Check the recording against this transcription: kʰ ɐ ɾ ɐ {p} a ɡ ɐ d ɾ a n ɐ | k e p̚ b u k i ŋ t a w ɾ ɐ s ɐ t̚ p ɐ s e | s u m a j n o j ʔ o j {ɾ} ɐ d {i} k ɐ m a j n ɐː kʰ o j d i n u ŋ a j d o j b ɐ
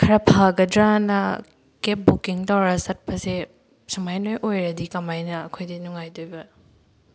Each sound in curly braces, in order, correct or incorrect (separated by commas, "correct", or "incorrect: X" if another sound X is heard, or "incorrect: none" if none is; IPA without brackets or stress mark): incorrect: pʰ, correct, correct